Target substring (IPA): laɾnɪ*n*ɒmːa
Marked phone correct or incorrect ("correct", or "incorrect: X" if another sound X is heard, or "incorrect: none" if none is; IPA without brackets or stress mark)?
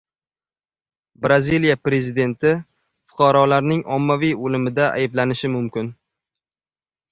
incorrect: ŋ